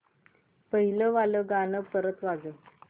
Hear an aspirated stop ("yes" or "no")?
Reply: no